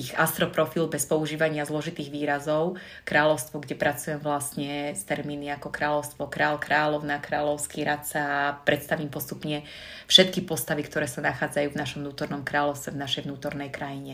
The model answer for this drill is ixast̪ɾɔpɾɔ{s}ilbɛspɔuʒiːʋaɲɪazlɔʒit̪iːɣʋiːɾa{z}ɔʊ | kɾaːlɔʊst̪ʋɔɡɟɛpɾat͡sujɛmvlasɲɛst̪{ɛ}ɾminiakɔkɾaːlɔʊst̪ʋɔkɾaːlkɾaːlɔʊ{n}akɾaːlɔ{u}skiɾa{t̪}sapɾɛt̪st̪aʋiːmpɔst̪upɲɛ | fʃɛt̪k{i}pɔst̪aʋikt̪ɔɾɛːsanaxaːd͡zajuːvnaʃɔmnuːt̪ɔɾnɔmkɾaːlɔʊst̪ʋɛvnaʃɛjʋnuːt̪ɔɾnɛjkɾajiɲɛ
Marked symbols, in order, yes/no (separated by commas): no, yes, yes, yes, no, yes, yes